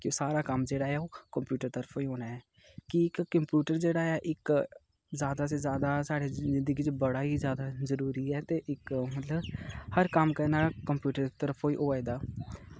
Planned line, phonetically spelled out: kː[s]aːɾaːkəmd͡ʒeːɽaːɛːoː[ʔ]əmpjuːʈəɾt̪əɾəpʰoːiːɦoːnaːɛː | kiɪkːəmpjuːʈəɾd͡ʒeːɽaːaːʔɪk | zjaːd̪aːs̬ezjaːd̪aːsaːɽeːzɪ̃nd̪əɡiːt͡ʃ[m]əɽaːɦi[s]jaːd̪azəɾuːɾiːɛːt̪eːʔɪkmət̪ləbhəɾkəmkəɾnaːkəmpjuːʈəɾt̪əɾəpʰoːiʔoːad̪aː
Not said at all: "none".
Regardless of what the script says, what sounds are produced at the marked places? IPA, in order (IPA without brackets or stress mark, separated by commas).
s, k, b, z